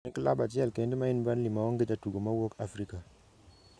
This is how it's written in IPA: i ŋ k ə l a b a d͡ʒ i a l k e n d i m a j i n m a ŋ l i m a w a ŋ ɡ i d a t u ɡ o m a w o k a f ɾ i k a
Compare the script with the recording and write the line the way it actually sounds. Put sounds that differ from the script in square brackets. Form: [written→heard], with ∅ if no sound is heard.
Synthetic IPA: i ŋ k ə l a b a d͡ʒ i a l k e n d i m a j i n [m→b] a [ŋ→n] l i m a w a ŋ ɡ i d a t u ɡ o m a w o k a f ɾ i k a